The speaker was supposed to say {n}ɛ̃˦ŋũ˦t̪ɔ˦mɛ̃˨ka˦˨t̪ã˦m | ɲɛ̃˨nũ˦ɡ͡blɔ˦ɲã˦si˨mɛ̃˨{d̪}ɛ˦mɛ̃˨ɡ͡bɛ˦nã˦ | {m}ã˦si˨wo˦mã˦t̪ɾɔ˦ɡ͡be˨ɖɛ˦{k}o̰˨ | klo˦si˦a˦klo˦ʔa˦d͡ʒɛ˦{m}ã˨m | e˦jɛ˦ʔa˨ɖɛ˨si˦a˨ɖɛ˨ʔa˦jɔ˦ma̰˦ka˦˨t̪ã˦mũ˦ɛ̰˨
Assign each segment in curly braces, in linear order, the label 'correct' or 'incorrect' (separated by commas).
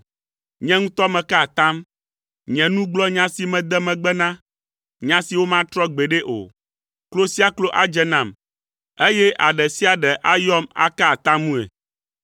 incorrect, correct, incorrect, incorrect, incorrect